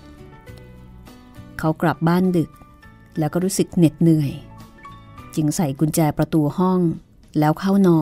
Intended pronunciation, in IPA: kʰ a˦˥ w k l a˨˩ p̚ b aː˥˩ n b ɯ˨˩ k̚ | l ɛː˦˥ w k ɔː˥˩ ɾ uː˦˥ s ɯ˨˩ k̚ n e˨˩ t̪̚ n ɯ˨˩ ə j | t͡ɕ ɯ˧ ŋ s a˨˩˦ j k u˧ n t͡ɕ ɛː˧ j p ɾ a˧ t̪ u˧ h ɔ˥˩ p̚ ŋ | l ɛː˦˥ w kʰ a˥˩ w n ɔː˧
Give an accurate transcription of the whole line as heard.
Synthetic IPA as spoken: kʰ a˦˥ w k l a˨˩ p̚ b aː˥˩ n d ɯ˨˩ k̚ | l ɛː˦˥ w k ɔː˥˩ ɾ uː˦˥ s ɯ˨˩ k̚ n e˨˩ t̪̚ n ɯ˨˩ ə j | t͡ɕ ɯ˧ ŋ s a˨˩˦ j k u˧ n t͡ɕ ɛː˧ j p ɾ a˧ t̪ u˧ h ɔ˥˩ ŋ | l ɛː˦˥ w kʰ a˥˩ w n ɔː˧